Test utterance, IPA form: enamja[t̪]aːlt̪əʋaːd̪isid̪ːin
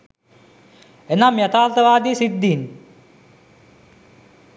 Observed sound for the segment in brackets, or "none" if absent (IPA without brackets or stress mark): t̪